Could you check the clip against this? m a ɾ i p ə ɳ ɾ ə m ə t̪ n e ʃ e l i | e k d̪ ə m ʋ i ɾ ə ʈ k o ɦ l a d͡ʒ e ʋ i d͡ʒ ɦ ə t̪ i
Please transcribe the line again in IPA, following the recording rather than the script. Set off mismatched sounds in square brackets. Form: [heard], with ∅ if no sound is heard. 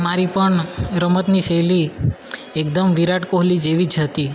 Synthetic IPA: m a ɾ i p ə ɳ ɾ ə m ə t̪ n [i] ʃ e l i | e k d̪ ə m ʋ i ɾ [a] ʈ k o ɦ l [i] d͡ʒ e ʋ i d͡ʒ ɦ ə t̪ i